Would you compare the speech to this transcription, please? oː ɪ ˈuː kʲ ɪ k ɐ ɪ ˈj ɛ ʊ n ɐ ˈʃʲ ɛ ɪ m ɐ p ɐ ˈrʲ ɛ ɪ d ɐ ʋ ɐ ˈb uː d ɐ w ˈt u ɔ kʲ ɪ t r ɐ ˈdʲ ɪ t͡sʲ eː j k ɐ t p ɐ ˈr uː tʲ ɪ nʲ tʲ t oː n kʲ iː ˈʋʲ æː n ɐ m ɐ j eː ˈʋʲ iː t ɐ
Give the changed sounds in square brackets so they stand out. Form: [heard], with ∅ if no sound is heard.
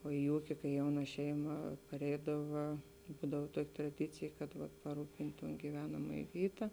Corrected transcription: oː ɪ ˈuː kʲ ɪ k ɐ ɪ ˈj ɛ ʊ n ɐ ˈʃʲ ɛ ɪ m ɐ p ɐ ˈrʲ ɛ ɪ d ɐ ʋ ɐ ˈb uː d ɐ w ˈt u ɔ kʲ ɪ t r ɐ ˈdʲ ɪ t͡sʲ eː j k ɐ t p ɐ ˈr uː [pʲ] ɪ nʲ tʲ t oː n [ɡʲ] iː ˈʋʲ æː n ɐ m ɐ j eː ˈʋʲ iː t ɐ